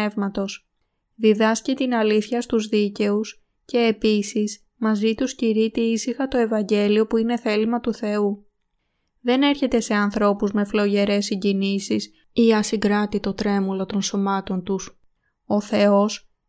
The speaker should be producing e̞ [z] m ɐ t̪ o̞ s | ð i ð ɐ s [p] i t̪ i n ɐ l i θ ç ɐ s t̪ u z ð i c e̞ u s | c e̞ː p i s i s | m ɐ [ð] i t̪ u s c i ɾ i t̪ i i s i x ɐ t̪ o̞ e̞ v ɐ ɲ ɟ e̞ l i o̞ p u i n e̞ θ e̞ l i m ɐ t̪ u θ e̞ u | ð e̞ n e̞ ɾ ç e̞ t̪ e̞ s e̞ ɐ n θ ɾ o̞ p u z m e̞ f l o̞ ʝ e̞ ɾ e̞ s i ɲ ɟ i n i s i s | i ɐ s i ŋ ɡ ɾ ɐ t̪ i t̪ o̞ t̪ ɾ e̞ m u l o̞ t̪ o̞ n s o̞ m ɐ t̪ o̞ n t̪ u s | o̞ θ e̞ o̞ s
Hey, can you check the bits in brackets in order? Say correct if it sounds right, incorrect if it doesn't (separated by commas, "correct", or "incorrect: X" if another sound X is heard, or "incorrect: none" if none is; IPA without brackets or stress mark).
incorrect: v, incorrect: c, incorrect: z